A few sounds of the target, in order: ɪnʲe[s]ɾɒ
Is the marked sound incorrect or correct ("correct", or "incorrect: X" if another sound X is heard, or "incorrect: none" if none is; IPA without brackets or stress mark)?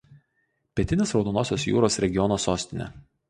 correct